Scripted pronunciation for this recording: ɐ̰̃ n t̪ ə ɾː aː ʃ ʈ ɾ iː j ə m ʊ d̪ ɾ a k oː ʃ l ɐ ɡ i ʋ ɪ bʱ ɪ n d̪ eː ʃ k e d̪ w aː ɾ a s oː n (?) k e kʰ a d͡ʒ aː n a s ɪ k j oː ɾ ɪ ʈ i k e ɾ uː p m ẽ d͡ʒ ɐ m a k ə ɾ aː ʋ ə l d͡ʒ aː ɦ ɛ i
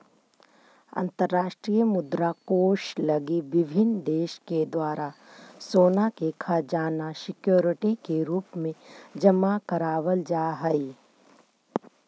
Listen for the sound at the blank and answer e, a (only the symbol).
a